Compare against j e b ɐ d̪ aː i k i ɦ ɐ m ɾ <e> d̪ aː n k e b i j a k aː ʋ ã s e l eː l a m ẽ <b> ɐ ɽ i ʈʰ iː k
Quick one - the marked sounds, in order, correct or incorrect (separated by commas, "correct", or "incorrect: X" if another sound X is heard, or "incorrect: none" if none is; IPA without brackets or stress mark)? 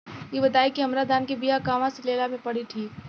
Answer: incorrect: a, incorrect: p